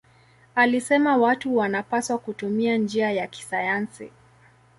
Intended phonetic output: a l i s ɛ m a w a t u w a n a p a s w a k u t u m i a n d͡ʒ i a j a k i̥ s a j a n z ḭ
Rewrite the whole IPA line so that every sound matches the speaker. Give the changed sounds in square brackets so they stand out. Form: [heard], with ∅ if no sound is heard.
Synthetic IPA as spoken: a l i s ɛ m a w a t u w a n a p a s w a k u t u m i a n d͡ʒ i a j a k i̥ s a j a n [s] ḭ

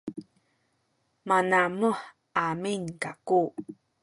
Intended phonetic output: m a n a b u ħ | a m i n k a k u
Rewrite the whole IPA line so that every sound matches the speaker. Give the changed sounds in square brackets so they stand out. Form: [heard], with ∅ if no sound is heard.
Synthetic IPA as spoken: m a n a [m] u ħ | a m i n k a k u

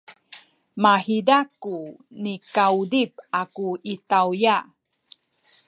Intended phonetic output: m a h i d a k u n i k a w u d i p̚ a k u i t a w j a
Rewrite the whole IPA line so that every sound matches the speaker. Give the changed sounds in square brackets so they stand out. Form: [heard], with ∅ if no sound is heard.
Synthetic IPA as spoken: m a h i d a k u n i k a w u d i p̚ a k u i t a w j a

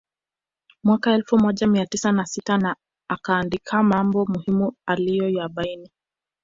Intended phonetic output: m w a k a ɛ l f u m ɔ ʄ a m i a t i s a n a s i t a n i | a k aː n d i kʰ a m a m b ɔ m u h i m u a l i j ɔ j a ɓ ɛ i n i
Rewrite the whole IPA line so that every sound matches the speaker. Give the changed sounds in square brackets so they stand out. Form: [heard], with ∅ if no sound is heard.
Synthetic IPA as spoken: m w a k a ɛ l f u m ɔ ʄ a m i a t i s a n a s i t a n [a] | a k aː n d i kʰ a m a m b ɔ m u h i m u a l i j ɔ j a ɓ [a] i n i

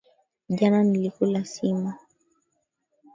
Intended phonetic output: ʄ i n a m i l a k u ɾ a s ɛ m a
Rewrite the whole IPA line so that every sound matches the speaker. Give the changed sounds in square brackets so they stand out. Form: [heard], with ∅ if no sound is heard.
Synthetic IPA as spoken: ʄ [a] n a [n] i l [i] k u [l] a s [i] m a

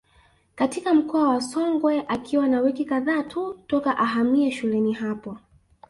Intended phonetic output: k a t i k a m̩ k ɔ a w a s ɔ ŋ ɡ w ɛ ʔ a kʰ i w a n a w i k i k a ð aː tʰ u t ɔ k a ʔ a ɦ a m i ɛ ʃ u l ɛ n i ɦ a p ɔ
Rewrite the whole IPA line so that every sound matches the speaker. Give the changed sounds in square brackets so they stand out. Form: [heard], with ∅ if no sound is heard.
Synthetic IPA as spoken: k a t i k a m̩ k ɔ a w a s ɔ ŋ ɡ w ɛ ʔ a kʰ i w a n a w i k i k a ð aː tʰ u t ɔ k a ʔ a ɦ a m i ɛ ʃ u l ɛ n i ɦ a p ɔ

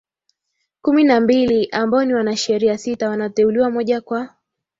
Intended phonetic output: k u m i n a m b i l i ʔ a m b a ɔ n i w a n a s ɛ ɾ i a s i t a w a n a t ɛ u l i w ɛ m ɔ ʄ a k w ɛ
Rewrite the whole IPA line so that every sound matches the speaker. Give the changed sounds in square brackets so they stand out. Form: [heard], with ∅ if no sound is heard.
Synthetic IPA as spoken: k u m i n a m b i l i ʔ a m b a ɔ n i w a n a [ʃ] ɛ ɾ i a s i t a w a n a t ɛ u l i w [a] m ɔ ʄ a k w [a]

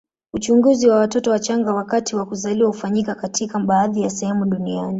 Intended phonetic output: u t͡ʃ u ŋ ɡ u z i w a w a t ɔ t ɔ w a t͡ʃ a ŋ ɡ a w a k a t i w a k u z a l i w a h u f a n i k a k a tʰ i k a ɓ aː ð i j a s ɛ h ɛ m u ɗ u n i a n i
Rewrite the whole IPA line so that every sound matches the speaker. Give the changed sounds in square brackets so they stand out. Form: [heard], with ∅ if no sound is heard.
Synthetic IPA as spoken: u t͡ʃ u ŋ ɡ u z i w a w a t ɔ t ɔ w a t͡ʃ a ŋ ɡ a w a k a t i w a k u z a l i w a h u f a [ɲ] i k a k a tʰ i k a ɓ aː ð i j a s ɛ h ɛ m u ɗ u n i a n i

